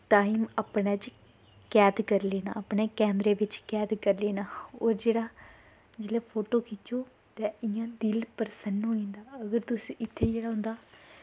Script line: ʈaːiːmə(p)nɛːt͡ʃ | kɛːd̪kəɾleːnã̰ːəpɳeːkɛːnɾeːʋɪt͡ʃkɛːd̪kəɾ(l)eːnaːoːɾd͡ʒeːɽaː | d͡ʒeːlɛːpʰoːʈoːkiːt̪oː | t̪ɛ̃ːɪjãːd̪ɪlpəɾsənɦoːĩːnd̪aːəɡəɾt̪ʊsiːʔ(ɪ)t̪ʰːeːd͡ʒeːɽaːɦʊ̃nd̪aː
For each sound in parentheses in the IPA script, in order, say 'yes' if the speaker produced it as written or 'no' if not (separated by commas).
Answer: yes, yes, yes